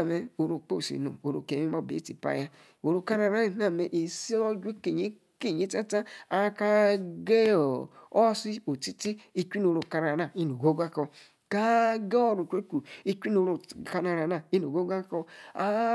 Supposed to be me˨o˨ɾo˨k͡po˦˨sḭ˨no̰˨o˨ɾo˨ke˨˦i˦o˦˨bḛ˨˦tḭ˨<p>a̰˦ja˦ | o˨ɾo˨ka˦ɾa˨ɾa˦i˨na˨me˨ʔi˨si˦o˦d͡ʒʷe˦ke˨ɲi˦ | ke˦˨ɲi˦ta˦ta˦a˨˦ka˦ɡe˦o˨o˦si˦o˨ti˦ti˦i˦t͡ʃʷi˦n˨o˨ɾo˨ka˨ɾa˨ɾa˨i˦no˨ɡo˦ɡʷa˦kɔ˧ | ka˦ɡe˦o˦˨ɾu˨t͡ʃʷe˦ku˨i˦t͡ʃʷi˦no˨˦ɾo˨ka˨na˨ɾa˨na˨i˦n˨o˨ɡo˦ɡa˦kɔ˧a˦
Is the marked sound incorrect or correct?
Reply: correct